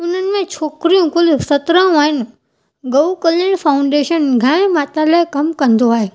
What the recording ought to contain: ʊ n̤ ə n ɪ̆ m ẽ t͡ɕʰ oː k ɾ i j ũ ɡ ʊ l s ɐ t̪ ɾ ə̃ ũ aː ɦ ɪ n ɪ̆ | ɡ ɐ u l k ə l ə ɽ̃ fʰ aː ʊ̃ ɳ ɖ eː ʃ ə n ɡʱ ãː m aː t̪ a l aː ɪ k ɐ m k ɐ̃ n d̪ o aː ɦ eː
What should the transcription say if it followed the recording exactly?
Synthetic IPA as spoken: ʊ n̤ ə n ɪ̆ m ẽ t͡ɕʰ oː k ɾ i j ũ k ʊ l s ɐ t̪ ɾ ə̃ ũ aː ɦ ɪ n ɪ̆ | ɡ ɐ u k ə l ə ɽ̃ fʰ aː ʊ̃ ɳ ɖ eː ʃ ə n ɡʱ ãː m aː t̪ a l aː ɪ k ɐ m k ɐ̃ n d̪ o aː ɦ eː